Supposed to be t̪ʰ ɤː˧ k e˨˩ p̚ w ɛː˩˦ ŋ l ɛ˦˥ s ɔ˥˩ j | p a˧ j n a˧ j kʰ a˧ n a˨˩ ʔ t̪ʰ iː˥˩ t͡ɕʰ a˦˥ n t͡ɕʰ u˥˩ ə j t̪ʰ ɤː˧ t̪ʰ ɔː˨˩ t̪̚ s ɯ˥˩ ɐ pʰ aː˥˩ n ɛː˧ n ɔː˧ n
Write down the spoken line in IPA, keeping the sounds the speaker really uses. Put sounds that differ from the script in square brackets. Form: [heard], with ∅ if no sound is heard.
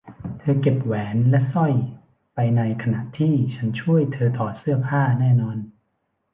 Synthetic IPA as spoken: t̪ʰ ɤː˧ k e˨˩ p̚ w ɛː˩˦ [n] l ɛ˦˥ s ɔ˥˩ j | p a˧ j n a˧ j kʰ a˧ n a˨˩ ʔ t̪ʰ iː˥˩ t͡ɕʰ a˦˥ n t͡ɕʰ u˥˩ ə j t̪ʰ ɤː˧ t̪ʰ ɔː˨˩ t̪̚ s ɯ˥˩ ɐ pʰ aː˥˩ n [ɛː˥˩] n ɔː˧ n